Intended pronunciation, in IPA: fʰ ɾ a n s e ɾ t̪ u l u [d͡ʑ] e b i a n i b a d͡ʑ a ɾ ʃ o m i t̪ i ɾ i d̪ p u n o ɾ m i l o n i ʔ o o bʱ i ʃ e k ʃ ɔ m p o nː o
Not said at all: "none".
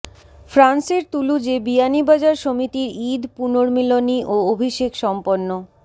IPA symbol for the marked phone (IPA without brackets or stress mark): d͡ʑ